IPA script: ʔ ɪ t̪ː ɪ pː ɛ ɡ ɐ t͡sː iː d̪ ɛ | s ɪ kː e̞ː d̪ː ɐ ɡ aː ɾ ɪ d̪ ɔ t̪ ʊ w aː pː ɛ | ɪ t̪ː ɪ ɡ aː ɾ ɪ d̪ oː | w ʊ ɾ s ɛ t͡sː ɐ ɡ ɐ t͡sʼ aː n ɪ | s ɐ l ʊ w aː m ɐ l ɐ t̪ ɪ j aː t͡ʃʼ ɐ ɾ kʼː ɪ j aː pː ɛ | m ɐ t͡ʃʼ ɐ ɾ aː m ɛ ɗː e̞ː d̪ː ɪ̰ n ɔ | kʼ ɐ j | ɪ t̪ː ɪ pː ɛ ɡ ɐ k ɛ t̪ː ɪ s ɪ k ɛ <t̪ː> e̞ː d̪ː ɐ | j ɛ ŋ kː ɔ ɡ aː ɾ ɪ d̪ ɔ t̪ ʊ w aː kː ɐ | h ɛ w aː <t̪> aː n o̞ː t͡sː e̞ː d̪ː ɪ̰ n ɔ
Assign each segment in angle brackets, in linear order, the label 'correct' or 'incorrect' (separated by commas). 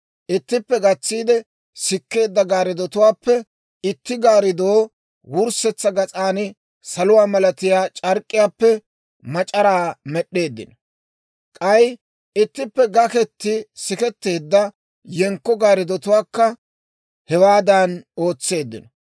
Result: correct, incorrect